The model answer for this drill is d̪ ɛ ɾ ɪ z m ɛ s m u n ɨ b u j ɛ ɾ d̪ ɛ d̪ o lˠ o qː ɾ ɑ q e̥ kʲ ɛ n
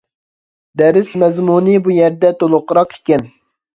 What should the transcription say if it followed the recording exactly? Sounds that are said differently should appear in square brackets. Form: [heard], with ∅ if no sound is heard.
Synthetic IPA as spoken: d̪ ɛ ɾ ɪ [s] m ɛ [z] m u n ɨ b u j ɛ ɾ d̪ ɛ [t̪] o lˠ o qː ɾ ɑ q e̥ kʲ ɛ n